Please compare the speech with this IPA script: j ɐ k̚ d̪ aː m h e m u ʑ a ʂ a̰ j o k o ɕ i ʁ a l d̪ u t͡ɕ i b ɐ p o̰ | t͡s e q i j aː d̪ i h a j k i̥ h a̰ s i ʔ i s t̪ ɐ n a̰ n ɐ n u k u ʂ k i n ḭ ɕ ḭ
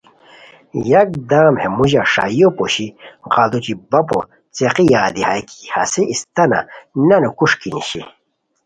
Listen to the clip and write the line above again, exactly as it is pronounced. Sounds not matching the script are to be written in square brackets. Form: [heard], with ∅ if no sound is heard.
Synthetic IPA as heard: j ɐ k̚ d̪ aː m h e m u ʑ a ʂ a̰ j o [p] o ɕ i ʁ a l d̪ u t͡ɕ i b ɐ p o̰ | t͡s e q i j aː d̪ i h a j k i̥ h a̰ s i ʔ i s t̪ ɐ n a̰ n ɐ n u k u ʂ k i n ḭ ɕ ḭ